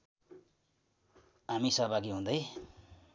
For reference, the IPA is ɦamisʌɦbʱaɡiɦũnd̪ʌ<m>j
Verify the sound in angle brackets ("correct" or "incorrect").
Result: incorrect